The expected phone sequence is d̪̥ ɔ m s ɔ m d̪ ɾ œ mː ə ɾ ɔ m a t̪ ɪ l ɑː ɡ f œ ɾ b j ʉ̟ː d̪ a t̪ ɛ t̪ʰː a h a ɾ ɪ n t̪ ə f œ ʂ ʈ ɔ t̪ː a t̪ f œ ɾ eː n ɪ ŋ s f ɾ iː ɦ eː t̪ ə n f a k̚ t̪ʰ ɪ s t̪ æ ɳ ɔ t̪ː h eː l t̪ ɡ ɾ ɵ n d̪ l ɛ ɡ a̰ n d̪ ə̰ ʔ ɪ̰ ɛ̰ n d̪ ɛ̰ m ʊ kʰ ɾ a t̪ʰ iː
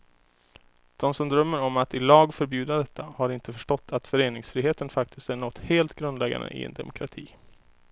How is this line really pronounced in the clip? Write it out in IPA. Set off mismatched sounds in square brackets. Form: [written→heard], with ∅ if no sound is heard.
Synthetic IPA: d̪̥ ɔ m s ɔ m d̪ ɾ œ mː ə ɾ ɔ m a t̪ ɪ l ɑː ɡ f œ ɾ b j ʉ̟ː d̪ a [t̪→d̪] ɛ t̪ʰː a h a ɾ ɪ n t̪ ə f œ ʂ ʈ ɔ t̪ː a t̪ f œ ɾ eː n ɪ ŋ s f ɾ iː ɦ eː t̪ ə n f a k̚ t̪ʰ ɪ s t̪ æ ɳ ɔ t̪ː h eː l t̪ ɡ ɾ ɵ n d̪ l ɛ ɡ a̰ n d̪ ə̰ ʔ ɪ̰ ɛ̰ n d̪ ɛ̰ m ʊ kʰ ɾ a t̪ʰ iː